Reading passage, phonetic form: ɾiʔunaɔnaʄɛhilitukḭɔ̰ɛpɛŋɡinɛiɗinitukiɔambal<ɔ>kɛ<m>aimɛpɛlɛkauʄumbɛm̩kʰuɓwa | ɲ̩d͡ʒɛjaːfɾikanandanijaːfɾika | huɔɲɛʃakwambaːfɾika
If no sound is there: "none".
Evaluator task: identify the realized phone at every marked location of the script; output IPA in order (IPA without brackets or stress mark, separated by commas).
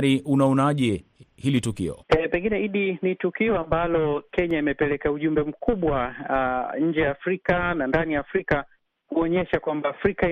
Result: ɔ, ɲ